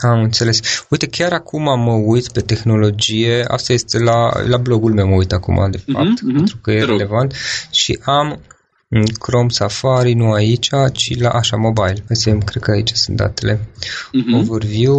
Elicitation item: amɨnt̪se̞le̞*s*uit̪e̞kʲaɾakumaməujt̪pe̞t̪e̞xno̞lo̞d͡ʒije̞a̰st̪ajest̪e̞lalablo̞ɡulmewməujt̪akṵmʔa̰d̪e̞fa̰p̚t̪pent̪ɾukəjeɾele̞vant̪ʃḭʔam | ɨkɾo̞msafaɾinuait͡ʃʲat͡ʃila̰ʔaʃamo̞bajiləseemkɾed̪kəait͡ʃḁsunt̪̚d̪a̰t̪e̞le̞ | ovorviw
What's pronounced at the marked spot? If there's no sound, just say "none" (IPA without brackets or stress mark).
s